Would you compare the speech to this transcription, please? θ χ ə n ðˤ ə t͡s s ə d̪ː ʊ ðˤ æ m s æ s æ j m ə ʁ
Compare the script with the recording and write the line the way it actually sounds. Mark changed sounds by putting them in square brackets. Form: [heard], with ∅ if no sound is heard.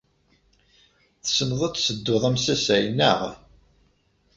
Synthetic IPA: θ [s] ə n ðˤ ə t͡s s ə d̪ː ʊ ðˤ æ m s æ s æ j [n] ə ʁ

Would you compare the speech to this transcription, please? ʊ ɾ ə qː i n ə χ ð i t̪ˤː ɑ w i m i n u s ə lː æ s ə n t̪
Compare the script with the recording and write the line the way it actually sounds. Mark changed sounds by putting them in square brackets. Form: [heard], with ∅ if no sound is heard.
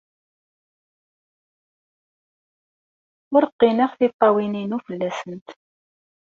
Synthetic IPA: ʊ ɾ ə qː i n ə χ [θ] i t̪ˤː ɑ w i [n] i n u [f] ə lː æ s ə n t̪

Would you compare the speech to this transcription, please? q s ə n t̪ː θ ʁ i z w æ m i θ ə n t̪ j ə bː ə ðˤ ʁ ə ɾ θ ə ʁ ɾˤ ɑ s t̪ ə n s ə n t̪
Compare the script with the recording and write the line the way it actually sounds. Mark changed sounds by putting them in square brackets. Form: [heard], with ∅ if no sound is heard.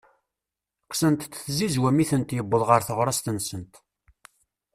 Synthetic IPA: q s ə n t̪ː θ [z] i z w æ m i θ ə n t̪ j ə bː ə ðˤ ʁ ə ɾ θ ə ʁ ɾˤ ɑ s t̪ ə n s ə n t̪

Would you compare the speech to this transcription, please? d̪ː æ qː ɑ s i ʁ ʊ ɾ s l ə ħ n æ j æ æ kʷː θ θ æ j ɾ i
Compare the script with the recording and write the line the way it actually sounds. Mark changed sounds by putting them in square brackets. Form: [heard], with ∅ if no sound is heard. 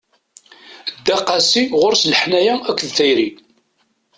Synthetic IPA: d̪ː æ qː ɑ s i ʁ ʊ ɾ s l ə ħ n æ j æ æ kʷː [ð] θ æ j ɾ i

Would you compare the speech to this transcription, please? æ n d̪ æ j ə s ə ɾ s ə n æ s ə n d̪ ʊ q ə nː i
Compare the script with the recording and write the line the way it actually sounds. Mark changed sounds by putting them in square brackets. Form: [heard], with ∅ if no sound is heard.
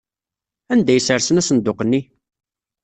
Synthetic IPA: æ n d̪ æ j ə s ə ɾ s ə n æ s ə n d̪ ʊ q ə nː i

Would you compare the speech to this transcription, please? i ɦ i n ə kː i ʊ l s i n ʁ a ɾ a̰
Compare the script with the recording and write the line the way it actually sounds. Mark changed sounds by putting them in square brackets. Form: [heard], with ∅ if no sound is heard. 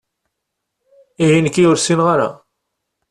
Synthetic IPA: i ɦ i n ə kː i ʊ [ɾ] s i n ʁ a ɾ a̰

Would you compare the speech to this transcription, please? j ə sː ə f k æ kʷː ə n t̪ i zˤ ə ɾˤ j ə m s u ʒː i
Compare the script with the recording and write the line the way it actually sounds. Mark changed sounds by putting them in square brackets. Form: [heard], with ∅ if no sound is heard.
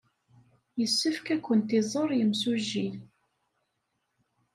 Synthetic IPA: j ə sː ə f k æ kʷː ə n t̪ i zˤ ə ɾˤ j ə m s u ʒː i

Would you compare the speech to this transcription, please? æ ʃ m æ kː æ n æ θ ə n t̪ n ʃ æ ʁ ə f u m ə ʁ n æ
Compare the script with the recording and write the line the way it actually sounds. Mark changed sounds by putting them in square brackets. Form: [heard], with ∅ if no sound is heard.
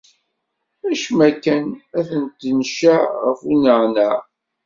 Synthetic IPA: æ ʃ m æ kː æ n æ θ ə n t̪ n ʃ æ ʁ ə f u [n] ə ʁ n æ

